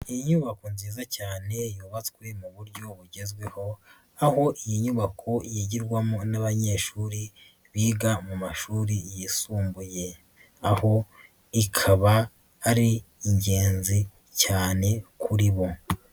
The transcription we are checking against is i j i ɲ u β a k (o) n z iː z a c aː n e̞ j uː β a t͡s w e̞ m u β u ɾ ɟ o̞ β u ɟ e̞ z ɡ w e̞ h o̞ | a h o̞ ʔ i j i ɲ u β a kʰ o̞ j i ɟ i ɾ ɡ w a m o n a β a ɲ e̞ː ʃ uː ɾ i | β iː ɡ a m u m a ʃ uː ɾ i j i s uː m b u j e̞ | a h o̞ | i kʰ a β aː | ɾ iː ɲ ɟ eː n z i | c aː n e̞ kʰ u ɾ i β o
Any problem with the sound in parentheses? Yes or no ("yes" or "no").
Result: no